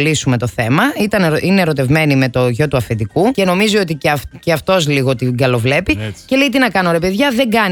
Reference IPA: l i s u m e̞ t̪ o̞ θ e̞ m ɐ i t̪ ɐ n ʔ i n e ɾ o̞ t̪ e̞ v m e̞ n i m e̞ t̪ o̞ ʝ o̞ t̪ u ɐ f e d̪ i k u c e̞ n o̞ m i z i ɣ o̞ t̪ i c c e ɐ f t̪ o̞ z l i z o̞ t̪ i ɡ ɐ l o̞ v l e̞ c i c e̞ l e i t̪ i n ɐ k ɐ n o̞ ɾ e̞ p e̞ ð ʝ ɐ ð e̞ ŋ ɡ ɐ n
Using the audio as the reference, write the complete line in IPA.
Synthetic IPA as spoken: l i s u m e̞ t̪ o̞ θ e̞ m ɐ i t̪ ɐ n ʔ i n e ɾ o̞ t̪ e̞ v m e̞ n i m e̞ t̪ o̞ ʝ o̞ t̪ u ɐ f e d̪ i k u c e̞ n o̞ m i z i o̞ t̪ i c c e ɐ f t̪ o̞ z l i ɣ o̞ t̪ i ɡ ɐ l o̞ v l e̞ p i c e̞ l e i t̪ i n ɐ k ɐ n o̞ ɾ e̞ p e̞ ð ʝ ɐ ð e̞ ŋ ɡ ɐ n